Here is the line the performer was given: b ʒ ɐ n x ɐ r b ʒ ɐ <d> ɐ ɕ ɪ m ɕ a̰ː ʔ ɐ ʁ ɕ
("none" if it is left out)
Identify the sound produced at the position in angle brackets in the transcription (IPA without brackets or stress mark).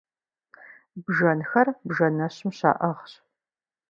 n